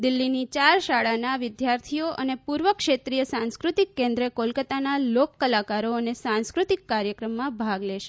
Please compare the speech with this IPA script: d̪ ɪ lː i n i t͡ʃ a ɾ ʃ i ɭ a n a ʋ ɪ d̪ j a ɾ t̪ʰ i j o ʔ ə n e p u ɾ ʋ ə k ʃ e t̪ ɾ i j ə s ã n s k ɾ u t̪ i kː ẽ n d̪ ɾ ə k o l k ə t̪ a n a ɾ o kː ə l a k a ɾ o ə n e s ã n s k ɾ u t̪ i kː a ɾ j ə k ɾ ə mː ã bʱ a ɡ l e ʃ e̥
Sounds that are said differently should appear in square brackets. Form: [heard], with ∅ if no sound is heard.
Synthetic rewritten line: d̪ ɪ lː i n i t͡ʃ a ɾ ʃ [a] ɭ a n a ʋ ɪ d̪ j a ɾ t̪ʰ i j o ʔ ə n e p u ɾ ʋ ə k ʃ e t̪ ɾ i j ə s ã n s k ɾ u t̪ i kː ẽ n d̪ ɾ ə k o l k ə t̪ a n a [l] o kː ə l a k a ɾ o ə n e s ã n s k ɾ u t̪ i kː a ɾ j ə k ɾ ə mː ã bʱ a ɡ l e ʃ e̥

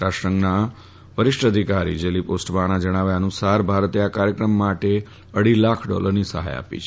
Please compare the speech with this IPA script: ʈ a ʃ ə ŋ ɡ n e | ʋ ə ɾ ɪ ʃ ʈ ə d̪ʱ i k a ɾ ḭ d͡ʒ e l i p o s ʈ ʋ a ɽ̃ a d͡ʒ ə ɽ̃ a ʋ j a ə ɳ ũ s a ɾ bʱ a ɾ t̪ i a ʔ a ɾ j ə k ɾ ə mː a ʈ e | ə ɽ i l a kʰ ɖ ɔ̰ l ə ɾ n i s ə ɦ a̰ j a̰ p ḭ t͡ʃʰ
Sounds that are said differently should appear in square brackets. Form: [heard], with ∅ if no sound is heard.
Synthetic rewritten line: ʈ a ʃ ə ŋ ɡ n [a] | ʋ ə ɾ ɪ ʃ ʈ ə d̪ʱ i k a ɾ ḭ d͡ʒ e l i p o s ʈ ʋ a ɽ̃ a d͡ʒ ə ɽ̃ a ʋ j a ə [n] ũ s a ɾ bʱ a ɾ t̪ [e] a [k] a ɾ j ə k ɾ ə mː a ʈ e | ə ɽ i l a kʰ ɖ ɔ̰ l ə ɾ n i s ə ɦ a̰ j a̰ p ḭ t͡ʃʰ

